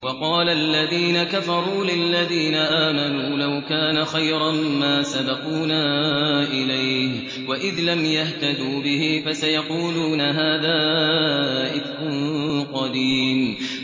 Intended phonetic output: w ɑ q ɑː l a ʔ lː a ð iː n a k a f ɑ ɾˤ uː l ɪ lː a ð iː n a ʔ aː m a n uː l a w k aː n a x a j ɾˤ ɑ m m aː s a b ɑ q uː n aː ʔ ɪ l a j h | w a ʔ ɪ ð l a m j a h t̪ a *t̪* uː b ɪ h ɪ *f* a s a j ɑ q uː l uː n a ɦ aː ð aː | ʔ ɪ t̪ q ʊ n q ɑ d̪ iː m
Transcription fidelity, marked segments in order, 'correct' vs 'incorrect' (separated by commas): incorrect, correct